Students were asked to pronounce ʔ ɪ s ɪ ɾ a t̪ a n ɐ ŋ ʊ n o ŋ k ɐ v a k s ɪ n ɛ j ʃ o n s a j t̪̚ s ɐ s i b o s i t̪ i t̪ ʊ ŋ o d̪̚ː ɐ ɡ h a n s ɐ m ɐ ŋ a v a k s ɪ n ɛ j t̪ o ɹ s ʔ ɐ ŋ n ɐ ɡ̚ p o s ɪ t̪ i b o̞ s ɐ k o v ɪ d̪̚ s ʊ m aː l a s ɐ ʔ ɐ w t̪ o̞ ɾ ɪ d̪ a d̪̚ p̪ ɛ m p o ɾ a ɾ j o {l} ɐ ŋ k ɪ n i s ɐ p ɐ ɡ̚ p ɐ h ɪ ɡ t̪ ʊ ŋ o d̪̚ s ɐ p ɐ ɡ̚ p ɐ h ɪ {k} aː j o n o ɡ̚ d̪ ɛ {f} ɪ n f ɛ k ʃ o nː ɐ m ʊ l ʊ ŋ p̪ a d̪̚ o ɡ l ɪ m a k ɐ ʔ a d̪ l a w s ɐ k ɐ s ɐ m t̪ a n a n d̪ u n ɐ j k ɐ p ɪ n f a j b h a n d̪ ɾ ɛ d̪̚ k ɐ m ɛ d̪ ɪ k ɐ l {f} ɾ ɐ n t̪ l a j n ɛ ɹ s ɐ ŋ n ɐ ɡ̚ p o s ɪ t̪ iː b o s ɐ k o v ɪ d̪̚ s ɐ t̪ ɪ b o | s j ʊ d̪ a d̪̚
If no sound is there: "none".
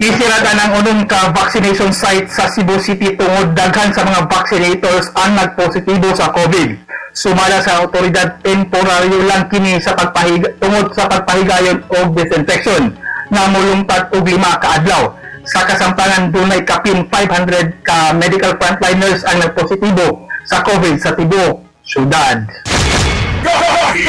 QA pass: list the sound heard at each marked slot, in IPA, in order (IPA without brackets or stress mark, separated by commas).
l, ɡ, s, f